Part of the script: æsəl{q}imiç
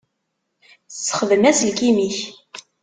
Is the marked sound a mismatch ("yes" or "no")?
yes